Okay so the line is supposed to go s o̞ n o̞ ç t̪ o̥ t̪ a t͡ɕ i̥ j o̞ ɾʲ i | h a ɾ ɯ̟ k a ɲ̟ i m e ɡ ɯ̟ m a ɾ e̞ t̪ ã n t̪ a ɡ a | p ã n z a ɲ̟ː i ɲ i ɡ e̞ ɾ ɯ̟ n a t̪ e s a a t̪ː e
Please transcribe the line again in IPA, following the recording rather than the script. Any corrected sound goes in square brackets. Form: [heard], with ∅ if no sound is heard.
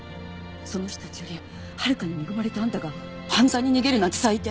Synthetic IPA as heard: s o̞ n o̞ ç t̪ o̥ t̪ a t͡ɕ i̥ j o̞ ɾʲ i | h a ɾ ɯ̟ k a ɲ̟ i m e ɡ ɯ̟ m a ɾ e̞ t̪ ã n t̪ a ɡ a | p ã n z a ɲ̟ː i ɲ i ɡ e̞ ɾ ɯ̟ n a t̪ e s a [i] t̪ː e